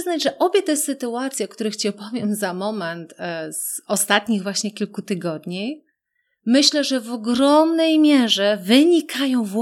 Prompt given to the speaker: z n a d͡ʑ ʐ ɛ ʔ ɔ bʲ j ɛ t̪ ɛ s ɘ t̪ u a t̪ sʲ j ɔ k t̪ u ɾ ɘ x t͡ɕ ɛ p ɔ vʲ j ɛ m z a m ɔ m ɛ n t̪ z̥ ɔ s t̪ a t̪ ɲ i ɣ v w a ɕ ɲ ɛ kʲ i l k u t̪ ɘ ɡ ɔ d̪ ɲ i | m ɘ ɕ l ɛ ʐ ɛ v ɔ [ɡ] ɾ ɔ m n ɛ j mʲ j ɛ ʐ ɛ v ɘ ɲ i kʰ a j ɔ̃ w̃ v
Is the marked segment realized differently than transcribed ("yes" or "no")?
no